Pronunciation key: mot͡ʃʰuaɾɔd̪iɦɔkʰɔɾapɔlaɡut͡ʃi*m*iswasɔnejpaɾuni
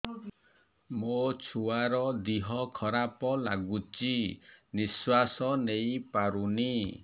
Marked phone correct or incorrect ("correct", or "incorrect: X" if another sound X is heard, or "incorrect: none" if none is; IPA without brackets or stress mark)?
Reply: incorrect: n